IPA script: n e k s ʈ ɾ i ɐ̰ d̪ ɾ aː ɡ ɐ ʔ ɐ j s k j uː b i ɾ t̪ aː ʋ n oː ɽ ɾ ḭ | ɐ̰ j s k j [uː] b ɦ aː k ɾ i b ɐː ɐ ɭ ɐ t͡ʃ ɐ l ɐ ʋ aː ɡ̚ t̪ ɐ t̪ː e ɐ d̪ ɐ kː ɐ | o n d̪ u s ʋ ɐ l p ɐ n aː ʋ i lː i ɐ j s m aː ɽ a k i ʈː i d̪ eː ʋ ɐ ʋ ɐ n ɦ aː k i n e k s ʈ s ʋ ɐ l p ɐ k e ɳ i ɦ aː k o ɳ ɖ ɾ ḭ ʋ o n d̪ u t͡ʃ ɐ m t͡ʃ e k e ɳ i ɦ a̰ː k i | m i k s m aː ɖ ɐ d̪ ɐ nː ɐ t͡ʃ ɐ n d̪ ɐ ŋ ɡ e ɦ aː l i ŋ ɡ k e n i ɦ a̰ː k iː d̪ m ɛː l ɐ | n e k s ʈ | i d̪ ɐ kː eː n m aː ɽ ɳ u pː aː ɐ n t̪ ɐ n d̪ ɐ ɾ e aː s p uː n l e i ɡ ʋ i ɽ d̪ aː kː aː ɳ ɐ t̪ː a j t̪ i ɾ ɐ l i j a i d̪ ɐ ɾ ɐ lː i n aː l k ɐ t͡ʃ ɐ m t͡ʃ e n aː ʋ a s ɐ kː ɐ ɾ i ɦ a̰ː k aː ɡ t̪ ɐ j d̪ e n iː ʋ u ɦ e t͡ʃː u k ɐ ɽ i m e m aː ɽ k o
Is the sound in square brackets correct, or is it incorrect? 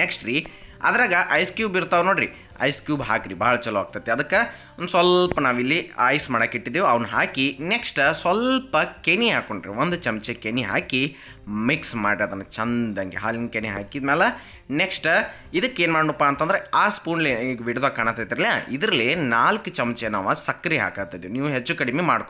correct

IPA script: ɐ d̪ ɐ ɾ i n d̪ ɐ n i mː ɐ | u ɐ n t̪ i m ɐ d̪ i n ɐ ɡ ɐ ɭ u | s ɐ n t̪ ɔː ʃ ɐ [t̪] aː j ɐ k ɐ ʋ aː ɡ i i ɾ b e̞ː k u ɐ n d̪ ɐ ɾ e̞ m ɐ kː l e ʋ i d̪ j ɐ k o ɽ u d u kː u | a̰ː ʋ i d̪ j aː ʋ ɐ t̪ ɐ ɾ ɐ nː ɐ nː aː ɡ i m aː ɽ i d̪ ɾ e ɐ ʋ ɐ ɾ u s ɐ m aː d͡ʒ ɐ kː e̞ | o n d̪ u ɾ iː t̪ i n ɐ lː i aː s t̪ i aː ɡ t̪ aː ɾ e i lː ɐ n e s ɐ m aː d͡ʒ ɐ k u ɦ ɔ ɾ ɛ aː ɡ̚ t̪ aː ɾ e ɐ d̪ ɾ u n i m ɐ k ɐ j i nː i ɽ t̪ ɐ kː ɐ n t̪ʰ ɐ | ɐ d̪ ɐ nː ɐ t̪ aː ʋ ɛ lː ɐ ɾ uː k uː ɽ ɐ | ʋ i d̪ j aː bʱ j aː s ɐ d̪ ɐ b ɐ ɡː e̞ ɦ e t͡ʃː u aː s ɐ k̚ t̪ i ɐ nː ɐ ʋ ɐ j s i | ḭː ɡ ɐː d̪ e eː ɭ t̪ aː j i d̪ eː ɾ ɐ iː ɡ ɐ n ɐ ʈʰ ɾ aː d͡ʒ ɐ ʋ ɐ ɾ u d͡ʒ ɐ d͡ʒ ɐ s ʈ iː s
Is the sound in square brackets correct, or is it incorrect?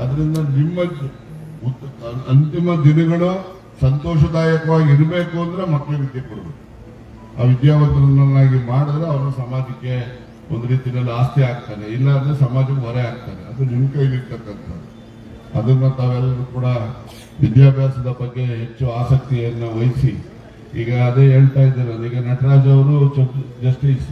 incorrect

